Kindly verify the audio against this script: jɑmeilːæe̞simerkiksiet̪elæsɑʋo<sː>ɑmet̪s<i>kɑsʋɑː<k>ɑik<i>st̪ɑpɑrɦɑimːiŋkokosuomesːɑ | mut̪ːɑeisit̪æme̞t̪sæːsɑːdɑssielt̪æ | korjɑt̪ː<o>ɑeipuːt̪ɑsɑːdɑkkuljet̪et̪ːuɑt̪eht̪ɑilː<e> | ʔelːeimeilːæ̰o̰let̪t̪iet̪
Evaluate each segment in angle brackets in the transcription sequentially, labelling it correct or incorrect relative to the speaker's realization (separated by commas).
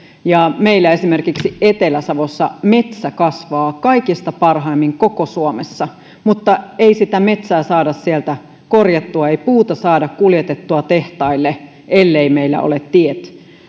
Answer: correct, incorrect, correct, correct, incorrect, correct